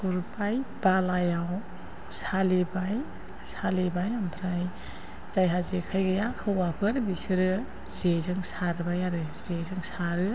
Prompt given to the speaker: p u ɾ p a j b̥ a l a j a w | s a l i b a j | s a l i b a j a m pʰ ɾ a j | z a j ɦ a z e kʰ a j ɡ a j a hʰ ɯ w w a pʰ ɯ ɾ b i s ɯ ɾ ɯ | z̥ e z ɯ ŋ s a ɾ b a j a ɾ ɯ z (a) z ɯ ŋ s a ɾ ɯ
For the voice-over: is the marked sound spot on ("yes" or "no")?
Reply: no